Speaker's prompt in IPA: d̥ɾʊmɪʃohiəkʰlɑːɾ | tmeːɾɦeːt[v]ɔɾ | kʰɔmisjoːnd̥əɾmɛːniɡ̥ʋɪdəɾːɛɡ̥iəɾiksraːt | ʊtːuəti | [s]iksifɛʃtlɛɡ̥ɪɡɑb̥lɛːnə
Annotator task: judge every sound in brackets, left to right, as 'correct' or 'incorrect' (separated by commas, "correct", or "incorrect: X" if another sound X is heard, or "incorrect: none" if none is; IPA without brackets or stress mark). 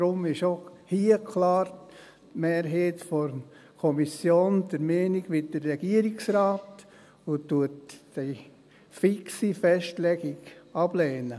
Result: incorrect: f, incorrect: f